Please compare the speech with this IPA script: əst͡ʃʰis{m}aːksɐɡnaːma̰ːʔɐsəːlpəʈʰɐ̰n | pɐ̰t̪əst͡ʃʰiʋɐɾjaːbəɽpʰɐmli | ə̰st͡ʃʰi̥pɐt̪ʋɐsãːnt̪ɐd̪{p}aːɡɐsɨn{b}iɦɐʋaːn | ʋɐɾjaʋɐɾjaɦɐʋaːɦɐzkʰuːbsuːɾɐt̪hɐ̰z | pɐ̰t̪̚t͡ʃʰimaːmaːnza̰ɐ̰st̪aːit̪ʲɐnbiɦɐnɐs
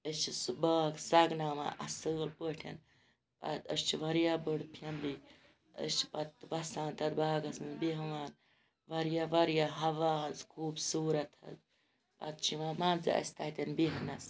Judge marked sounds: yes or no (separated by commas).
no, no, yes